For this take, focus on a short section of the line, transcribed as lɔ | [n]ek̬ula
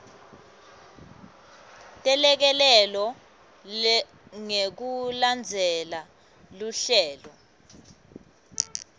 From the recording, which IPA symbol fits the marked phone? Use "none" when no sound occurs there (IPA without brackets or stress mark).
ŋ